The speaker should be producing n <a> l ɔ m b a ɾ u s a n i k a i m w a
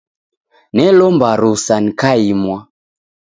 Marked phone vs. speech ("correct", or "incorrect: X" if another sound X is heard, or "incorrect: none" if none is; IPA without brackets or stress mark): incorrect: ɛ